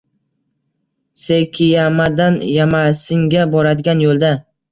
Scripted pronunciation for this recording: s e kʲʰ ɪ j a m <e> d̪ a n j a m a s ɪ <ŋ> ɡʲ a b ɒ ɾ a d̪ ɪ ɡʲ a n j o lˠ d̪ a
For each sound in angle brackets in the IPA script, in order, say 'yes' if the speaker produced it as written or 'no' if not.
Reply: no, yes

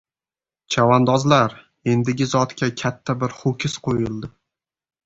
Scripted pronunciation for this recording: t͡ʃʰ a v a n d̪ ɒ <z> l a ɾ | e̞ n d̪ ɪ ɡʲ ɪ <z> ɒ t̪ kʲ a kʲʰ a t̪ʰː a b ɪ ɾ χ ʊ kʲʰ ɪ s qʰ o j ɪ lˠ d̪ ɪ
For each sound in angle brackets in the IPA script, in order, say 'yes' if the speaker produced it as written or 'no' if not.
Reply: yes, yes

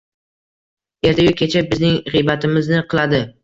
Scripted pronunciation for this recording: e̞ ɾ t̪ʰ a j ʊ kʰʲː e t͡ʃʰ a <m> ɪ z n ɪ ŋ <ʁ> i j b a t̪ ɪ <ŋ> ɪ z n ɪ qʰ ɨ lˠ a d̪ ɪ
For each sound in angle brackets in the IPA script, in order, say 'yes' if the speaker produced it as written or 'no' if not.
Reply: no, yes, no

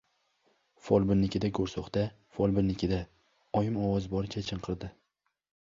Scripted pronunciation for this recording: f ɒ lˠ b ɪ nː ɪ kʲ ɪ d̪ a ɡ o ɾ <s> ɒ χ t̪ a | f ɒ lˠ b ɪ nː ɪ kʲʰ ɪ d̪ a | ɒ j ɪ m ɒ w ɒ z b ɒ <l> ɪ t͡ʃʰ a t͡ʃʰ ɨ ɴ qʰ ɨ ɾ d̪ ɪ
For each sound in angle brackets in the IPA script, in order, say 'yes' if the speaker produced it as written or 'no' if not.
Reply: yes, no

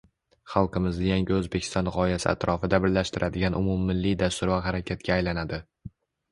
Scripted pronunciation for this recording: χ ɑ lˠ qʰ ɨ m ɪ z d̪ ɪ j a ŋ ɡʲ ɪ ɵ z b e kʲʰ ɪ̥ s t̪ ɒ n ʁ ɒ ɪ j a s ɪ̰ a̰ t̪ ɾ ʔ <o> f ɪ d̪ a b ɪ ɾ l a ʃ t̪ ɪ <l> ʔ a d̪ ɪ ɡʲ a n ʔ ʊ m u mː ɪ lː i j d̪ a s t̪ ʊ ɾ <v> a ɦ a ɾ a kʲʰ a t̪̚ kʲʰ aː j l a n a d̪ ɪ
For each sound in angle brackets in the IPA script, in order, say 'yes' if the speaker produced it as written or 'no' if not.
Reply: no, no, yes

